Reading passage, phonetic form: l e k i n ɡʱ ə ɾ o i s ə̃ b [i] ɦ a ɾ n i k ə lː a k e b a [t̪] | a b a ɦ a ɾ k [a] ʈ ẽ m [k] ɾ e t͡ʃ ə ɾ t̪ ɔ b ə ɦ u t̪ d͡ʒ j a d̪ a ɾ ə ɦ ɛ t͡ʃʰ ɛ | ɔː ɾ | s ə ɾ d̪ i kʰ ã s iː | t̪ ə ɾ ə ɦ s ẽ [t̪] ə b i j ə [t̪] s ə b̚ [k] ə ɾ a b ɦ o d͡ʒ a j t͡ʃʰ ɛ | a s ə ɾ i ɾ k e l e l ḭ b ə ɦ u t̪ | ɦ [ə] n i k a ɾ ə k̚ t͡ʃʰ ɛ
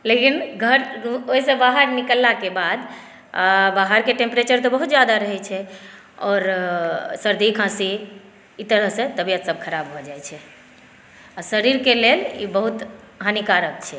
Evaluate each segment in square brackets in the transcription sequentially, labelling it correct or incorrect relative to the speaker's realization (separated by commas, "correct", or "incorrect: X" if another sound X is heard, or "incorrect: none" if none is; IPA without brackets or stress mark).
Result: incorrect: a, incorrect: d̪, incorrect: e, incorrect: p, correct, correct, incorrect: kʰ, incorrect: a